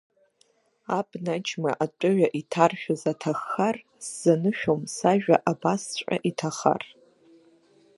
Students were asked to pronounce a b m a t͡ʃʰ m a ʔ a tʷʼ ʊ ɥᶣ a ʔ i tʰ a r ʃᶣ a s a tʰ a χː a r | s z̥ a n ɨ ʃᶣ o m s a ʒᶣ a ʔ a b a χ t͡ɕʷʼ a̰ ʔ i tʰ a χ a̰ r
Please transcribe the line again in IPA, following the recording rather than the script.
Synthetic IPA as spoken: a b n a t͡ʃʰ m a ʔ a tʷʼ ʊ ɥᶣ a ʔ i tʰ a r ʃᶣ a z a tʰ a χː a r | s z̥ a n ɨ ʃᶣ o m s a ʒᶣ a ʔ a b a s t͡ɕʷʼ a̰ ʔ i tʰ a χ a̰ r

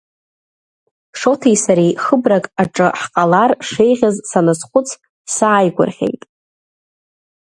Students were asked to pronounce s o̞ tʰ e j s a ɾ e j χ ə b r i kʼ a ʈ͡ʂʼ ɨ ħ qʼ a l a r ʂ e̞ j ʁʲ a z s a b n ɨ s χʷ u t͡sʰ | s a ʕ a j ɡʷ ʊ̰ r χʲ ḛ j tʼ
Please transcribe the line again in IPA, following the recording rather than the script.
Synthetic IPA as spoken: ʂ o̞ tʰ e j s a ɾ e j χ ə b r a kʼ a ʈ͡ʂʼ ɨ ħ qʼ a l a r ʂ e̞ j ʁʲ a z s a n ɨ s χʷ ʊ t͡sʰ | s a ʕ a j ɡʷ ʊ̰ r χʲ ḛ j tʼ

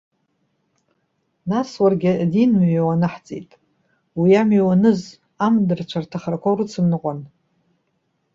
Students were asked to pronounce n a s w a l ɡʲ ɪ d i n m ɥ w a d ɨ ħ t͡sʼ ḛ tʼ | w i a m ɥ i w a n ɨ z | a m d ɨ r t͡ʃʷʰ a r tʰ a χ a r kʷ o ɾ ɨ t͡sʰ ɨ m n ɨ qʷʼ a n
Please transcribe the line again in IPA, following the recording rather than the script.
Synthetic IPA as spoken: n a s w a r ɡʲ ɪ d i n m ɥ w a n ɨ ħ t͡sʼ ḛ tʼ | w i a m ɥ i w a n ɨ z | a m d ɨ r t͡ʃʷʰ a r tʰ a χ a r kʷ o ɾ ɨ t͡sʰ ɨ m n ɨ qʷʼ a n

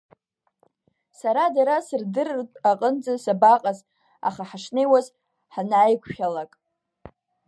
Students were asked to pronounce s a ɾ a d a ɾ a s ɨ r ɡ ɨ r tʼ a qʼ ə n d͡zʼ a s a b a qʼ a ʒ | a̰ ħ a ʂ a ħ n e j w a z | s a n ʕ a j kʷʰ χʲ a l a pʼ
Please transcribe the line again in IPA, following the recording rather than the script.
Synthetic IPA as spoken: s a ɾ a d a ɾ a s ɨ r d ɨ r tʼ a qʼ ə n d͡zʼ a s a b a qʼ a z | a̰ χ a ħ a ʂ n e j w a z | ħ a n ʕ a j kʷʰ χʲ a l a kʼ

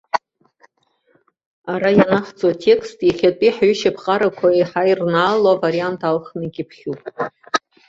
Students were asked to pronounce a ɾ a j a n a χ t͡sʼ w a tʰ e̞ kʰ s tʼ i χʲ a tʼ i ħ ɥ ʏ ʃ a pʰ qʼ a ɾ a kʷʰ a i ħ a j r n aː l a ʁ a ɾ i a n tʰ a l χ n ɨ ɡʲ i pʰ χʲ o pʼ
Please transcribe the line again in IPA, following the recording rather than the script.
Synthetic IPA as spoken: a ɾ a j a n a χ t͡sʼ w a tʰ e̞ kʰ s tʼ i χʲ a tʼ i ħ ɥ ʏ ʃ a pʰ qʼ a ɾ a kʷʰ a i ħ a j r n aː l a v a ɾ i a n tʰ a l χ n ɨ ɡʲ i pʰ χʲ u pʼ

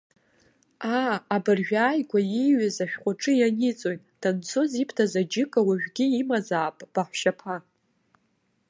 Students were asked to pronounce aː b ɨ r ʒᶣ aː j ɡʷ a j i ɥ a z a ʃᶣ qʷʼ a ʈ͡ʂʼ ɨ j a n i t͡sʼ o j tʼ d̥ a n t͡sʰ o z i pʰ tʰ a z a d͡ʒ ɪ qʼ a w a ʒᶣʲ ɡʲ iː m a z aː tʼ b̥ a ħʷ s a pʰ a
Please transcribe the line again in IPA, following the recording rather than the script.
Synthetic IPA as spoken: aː b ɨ r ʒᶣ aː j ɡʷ a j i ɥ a z a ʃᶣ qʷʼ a ʈ͡ʂʼ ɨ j a n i t͡sʼ o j tʼ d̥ a n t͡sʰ o z i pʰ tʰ a z a d͡ʒ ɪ kʼ a w a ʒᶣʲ ɡʲ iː m a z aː pʼ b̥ a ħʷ ʃ a pʰ a

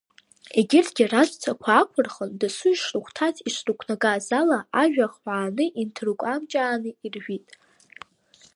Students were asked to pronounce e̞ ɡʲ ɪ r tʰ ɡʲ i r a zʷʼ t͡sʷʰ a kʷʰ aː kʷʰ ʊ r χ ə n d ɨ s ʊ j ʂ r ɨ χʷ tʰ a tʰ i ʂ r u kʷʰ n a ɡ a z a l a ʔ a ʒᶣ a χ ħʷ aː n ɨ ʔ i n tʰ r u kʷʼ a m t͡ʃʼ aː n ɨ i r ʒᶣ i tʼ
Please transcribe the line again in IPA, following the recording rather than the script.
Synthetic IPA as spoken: e̞ ɡʲ ɪ r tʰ ɡʲ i r a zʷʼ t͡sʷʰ a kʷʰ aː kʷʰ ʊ r χ ə n d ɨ s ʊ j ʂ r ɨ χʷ tʰ a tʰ i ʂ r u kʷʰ n a ɡ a z a l a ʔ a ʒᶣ a χ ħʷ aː n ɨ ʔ i n tʰ r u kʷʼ a m t͡ʃʼ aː n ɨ i r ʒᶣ i tʼ

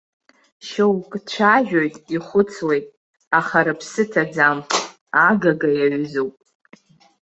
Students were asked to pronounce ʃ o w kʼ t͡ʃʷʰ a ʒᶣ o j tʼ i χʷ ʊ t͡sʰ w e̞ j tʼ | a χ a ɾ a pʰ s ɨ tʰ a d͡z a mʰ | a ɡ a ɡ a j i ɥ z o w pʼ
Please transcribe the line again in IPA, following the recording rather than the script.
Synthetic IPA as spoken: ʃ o w kʼ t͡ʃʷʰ a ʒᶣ o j tʼ i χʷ ʊ t͡sʰ w e̞ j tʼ | a χ a ɾ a pʰ s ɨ tʰ a d͡z a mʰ | a ɡ a ɡ a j a ɥ z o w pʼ

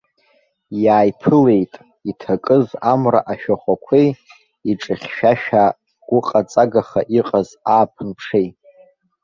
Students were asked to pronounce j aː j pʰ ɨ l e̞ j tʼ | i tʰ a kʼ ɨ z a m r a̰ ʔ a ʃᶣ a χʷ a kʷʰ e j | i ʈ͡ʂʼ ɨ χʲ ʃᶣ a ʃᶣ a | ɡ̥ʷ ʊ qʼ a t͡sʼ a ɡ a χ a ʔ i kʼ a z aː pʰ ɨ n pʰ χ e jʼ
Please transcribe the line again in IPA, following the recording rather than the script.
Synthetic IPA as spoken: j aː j pʰ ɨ l e̞ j tʼ | i tʰ a kʼ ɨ z a m r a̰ ʔ a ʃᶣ a χʷ a kʷʰ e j | i ʈ͡ʂʼ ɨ χʲ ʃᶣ a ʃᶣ a | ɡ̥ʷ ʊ qʼ a t͡sʼ a ɡ a χ a ʔ i qʼ a z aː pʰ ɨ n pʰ ʂ e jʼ

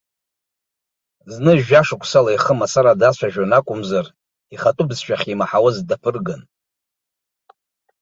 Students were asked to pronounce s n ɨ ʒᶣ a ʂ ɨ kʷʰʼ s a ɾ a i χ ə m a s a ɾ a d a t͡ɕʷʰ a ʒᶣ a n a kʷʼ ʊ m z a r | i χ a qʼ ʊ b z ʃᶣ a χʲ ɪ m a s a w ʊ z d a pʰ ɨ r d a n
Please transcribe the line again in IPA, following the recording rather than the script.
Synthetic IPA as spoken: z n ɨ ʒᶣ a ʂ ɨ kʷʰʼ s a l a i χ ə m a s a ɾ a d a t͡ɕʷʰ a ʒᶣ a n a kʷʼ ʊ m z a r | i χ a tʼ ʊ b z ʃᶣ a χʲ i m a ħ a w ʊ z d a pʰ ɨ r ɡ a n

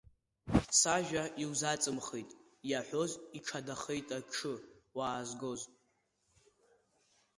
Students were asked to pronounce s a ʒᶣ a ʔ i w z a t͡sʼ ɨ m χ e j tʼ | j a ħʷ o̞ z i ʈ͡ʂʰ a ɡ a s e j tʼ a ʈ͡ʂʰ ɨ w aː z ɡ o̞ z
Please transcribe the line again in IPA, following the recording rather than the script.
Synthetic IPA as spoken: s a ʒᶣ a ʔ i w z a t͡sʼ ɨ m χ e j tʼ | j a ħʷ o̞ z i ʈ͡ʂʰ a d a χ e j tʼ a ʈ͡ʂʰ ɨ w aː z ɡ o̞ z

